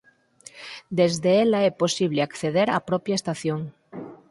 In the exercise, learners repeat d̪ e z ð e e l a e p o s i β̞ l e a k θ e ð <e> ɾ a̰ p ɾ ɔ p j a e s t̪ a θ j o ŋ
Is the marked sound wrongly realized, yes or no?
no